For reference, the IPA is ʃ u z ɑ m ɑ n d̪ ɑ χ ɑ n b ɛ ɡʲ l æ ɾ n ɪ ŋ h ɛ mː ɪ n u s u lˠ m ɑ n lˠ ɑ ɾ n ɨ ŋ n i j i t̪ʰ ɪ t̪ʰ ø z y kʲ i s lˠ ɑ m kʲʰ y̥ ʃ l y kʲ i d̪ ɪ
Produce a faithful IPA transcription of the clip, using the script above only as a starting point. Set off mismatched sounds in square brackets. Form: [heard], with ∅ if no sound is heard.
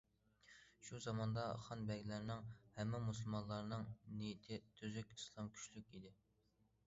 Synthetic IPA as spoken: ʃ u z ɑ m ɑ n d̪ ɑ χ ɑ n b ɛ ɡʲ l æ ɾ n ɪ ŋ h ɛ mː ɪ [m] u s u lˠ m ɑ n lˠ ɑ ɾ n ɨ ŋ n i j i t̪ʰ ɪ t̪ʰ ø z y kʲ i s lˠ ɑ m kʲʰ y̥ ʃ l y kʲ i d̪ ɪ